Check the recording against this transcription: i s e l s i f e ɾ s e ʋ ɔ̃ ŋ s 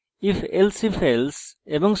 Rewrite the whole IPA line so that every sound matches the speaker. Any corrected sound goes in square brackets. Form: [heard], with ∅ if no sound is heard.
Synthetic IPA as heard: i [f] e l s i f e [l] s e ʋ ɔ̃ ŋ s